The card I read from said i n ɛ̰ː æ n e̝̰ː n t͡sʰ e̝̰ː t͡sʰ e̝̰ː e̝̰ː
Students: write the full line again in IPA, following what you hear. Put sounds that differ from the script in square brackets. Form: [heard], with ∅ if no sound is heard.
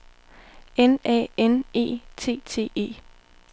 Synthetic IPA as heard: [e] n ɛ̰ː [e] n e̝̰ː [∅] t͡sʰ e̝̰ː t͡sʰ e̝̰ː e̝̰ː